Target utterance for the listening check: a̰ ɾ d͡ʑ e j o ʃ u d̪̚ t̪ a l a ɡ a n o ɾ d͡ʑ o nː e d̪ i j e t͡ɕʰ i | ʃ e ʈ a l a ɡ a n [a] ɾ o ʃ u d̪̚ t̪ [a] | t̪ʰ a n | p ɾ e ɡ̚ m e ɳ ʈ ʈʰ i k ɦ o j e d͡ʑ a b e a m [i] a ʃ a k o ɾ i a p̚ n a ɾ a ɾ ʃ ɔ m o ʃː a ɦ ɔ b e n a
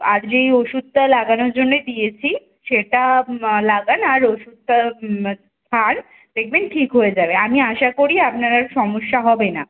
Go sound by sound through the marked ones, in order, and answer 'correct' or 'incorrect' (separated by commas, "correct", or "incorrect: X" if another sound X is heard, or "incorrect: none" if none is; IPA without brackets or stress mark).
correct, correct, correct